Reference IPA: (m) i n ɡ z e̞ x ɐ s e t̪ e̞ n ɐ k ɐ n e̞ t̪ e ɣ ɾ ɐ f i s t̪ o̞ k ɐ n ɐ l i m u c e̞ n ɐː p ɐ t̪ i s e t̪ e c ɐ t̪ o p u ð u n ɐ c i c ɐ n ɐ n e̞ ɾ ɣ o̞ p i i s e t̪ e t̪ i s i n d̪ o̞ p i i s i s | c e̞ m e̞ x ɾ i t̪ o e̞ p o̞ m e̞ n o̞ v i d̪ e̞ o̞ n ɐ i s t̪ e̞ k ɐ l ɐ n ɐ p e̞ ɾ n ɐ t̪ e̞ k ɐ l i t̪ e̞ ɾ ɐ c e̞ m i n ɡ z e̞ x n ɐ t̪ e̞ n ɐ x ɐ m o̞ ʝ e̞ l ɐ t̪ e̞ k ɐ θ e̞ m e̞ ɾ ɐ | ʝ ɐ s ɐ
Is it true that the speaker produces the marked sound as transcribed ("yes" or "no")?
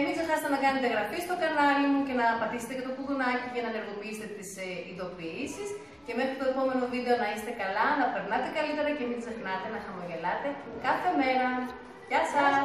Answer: yes